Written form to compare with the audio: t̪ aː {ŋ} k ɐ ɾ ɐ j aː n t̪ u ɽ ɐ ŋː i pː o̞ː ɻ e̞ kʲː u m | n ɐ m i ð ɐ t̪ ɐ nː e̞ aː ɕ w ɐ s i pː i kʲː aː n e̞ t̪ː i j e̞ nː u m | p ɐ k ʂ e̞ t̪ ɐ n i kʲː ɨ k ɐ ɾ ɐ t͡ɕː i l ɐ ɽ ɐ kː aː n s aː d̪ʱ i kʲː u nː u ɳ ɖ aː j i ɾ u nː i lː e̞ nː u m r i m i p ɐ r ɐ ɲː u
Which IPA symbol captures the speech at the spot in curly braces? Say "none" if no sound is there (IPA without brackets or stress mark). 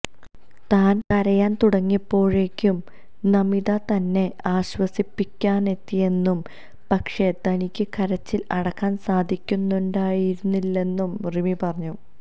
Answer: n